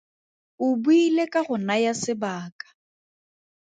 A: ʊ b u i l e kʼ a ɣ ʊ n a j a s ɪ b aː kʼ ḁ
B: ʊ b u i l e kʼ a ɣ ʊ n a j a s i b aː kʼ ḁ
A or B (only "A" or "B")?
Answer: A